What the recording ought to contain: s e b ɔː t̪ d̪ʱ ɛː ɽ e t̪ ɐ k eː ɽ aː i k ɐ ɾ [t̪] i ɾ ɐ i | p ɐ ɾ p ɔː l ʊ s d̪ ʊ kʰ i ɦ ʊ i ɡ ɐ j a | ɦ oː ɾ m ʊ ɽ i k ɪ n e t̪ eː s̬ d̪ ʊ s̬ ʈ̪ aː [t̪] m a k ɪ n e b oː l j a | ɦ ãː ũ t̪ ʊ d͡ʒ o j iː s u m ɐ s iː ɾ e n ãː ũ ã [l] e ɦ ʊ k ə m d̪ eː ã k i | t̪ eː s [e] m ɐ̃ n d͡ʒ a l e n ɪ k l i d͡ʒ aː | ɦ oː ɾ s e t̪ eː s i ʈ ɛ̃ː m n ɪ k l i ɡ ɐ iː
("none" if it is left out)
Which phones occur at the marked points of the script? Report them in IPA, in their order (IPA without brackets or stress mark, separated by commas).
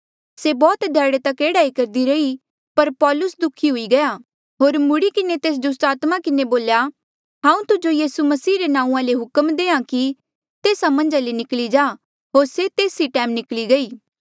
d̪, t̪, l, a